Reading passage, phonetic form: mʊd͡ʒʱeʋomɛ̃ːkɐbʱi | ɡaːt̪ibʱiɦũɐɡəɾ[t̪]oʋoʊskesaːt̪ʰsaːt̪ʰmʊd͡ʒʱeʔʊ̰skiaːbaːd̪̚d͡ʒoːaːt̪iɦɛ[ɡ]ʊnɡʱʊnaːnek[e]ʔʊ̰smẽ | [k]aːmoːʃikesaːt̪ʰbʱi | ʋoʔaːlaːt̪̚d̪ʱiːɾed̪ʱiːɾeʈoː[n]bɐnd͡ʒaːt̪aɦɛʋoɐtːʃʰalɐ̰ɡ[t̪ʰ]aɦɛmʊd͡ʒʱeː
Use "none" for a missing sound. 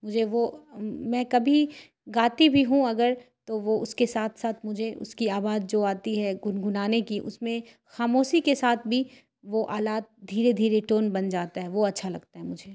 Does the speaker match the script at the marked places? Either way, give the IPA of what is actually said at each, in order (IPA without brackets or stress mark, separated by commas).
t̪, ɡ, i, x, n, t̪